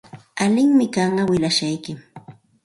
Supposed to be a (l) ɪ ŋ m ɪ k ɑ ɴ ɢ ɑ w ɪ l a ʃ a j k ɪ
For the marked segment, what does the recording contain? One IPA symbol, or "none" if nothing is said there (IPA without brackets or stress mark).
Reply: l